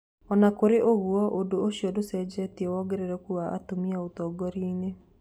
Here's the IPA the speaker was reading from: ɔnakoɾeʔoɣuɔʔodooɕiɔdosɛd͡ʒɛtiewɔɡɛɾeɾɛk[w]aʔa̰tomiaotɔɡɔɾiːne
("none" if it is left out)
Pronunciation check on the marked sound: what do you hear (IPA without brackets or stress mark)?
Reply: u